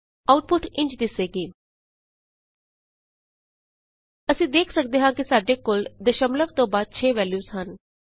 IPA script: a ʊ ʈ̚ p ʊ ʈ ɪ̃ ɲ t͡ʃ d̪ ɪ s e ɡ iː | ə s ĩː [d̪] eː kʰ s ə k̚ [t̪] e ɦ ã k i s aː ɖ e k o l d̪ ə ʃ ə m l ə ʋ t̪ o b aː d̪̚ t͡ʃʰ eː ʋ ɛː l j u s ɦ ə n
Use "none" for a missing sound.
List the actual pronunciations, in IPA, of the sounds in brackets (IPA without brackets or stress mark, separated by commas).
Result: d̪, d̪